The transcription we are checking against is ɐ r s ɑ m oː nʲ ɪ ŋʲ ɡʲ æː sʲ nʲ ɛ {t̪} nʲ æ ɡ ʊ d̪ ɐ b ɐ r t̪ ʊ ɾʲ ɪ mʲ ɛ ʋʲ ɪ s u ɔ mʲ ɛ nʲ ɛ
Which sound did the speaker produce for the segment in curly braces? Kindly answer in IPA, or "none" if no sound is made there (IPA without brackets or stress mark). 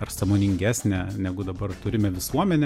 none